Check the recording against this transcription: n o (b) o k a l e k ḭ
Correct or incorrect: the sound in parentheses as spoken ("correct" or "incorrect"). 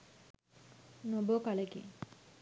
correct